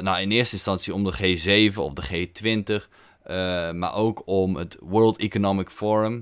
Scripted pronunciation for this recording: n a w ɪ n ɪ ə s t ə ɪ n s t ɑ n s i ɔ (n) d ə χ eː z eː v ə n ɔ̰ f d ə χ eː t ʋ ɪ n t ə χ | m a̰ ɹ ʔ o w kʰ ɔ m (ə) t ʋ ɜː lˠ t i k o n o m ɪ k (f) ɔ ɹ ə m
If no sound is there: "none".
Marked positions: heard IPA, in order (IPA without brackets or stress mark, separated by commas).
m, ə, f